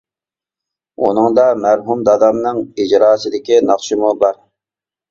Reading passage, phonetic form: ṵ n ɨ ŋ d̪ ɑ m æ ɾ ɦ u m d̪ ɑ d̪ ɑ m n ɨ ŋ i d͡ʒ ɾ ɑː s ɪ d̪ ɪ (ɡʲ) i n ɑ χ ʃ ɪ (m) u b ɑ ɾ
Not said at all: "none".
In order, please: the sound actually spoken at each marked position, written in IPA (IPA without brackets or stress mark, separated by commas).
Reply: kʲ, m